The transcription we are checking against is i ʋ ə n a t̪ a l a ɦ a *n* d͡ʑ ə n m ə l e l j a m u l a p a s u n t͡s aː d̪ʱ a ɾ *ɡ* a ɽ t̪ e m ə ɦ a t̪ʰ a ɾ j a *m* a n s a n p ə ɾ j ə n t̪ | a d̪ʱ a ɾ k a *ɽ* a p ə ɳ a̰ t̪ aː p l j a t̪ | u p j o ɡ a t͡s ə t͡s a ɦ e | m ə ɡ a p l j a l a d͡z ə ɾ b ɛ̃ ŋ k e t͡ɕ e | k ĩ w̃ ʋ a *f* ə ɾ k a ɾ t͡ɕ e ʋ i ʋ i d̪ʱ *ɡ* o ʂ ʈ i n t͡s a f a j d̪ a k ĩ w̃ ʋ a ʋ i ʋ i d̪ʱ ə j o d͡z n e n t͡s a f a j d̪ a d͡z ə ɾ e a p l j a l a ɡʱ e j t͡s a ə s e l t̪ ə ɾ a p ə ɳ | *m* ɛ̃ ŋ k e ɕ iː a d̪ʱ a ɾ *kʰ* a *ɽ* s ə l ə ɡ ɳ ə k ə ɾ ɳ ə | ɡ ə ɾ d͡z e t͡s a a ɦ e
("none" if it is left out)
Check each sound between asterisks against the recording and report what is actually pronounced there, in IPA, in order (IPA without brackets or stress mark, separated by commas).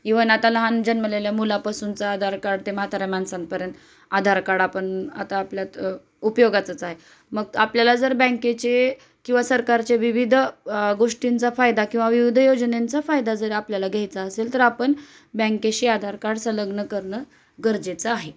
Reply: n, k, m, ɽ, s, ɡ, b, k, ɽ